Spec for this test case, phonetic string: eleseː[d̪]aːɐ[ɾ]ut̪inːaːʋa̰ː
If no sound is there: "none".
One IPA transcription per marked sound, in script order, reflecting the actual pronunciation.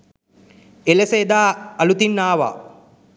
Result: d̪, l

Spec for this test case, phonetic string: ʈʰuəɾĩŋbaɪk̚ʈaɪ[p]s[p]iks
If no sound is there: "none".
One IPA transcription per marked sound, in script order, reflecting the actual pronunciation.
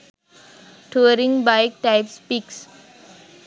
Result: p, p

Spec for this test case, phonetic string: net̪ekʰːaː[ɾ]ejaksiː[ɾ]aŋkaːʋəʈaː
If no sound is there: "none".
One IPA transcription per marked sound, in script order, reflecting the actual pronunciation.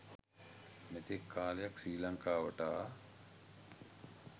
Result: l, l

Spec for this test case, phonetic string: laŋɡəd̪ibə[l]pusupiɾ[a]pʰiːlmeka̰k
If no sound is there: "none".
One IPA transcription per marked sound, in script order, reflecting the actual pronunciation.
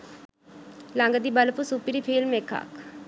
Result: l, i

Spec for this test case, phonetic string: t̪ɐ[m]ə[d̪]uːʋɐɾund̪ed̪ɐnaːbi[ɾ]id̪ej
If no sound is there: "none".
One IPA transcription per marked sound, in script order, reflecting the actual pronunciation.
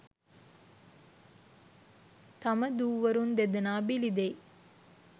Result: m, d̪, l

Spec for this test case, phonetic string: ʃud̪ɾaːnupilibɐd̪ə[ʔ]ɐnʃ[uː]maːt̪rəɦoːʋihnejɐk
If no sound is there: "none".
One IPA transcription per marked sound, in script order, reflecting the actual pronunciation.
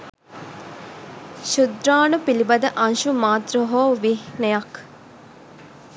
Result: ʔ, u

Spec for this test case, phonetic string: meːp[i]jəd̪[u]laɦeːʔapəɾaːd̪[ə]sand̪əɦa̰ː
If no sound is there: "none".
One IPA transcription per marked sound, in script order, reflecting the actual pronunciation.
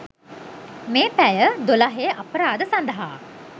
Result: æ, o, ə

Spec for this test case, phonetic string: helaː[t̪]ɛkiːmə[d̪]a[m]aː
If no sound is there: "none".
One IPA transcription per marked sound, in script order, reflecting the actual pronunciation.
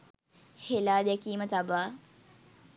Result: d̪, t̪, b

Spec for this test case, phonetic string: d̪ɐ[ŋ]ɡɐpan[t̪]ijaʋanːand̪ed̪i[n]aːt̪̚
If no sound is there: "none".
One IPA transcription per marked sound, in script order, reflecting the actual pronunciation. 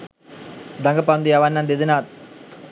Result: ŋ, d̪, n

